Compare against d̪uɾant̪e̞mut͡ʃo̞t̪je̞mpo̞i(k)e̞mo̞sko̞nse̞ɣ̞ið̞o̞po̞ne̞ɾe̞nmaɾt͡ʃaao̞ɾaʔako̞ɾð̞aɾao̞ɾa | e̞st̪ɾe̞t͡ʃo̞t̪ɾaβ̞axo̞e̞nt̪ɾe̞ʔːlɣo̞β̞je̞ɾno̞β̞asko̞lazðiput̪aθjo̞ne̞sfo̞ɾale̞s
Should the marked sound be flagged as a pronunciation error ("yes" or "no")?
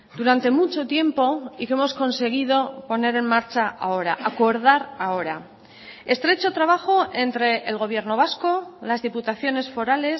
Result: no